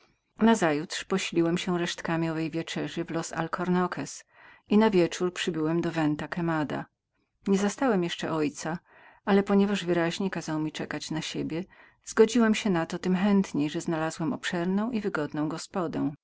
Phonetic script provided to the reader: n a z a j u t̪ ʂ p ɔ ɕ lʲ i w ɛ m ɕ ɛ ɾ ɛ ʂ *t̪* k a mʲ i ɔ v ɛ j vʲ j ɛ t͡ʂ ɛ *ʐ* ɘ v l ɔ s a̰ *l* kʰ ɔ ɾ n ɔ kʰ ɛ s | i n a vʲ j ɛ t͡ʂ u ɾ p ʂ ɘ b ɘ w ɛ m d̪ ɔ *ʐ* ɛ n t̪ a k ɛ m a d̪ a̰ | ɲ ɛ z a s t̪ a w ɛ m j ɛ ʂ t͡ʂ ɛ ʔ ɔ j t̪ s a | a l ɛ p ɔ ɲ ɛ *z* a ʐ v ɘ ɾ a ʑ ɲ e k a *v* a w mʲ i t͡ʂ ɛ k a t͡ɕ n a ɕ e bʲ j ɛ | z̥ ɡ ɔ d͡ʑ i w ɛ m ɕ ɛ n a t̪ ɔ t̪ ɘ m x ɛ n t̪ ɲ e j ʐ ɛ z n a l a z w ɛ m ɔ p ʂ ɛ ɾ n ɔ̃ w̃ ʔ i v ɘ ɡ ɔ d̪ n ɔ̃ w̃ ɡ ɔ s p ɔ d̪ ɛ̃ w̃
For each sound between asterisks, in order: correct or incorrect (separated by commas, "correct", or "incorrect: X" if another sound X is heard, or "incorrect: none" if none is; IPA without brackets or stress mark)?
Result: correct, correct, correct, incorrect: v, incorrect: v, incorrect: z